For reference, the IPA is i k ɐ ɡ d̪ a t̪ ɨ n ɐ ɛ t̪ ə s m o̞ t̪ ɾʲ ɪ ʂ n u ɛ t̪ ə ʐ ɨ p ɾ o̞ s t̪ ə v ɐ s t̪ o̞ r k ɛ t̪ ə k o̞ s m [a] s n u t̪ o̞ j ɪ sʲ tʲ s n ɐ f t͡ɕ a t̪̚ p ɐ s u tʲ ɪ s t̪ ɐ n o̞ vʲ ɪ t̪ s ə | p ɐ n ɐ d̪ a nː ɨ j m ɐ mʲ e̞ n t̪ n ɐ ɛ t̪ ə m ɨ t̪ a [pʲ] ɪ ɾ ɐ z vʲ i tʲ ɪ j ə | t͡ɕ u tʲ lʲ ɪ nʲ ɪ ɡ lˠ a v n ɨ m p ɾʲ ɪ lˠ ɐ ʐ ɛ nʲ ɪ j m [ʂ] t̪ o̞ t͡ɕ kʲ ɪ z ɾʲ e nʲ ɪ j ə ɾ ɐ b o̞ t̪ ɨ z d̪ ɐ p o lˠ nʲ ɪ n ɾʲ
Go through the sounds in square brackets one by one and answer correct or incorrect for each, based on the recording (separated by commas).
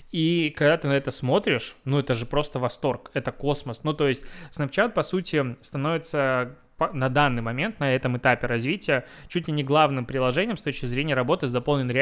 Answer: incorrect, correct, incorrect